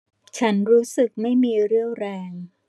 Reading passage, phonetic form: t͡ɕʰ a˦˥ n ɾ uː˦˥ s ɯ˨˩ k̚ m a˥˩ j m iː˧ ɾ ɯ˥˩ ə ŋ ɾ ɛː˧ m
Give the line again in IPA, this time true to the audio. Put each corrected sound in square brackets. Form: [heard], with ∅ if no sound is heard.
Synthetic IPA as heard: t͡ɕʰ a˦˥ n ɾ uː˦˥ s ɯ˨˩ k̚ m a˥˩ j m iː˧ ɾ ɯ˥˩ ə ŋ ɾ ɛː˧ [ŋ]